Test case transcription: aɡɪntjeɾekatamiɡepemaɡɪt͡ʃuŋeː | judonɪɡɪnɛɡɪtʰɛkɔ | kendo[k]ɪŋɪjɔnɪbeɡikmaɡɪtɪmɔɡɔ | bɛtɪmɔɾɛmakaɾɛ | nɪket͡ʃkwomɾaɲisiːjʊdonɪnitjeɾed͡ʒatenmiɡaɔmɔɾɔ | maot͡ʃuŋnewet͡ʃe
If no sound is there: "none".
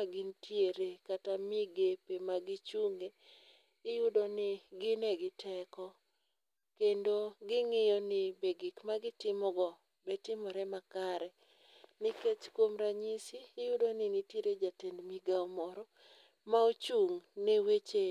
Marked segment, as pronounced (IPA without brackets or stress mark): ɡ